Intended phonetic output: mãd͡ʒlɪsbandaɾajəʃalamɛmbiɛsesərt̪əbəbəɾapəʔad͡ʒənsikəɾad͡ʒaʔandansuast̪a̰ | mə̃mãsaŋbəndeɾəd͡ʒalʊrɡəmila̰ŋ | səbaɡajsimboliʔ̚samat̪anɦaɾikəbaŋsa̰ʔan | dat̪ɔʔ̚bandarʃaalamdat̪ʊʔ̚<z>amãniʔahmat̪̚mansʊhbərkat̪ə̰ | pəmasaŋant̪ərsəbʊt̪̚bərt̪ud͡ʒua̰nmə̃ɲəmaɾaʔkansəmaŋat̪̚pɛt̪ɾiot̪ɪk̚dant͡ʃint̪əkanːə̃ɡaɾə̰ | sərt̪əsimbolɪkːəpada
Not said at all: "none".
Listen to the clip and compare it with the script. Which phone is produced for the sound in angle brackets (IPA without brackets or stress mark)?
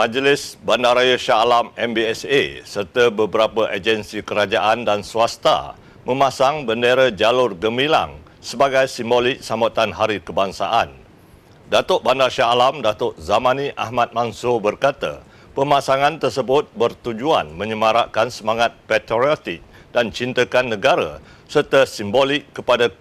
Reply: z